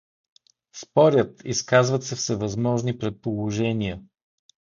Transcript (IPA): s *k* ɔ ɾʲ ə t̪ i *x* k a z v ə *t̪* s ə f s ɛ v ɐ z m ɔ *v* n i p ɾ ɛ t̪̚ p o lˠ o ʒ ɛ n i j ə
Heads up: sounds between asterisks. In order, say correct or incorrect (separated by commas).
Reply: incorrect, incorrect, correct, incorrect